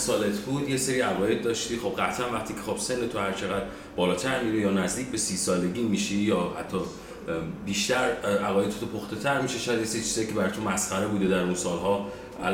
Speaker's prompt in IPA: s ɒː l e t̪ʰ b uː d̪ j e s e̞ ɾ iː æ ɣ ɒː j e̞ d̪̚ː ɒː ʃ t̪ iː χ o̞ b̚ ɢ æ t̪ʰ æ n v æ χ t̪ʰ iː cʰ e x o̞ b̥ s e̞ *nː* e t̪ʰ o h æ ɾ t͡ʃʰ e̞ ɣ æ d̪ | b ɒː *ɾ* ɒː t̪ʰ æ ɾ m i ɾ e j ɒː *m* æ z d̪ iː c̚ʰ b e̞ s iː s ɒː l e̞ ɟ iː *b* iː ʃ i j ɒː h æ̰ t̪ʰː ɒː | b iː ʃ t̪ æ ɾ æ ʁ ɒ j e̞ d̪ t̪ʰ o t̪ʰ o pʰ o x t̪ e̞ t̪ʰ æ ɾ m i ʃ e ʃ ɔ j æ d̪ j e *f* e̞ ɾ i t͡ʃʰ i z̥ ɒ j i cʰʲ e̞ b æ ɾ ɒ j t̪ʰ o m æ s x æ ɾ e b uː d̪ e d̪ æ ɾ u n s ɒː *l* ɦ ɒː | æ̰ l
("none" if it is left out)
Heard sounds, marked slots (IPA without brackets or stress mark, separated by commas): nː, l, n, m, s, l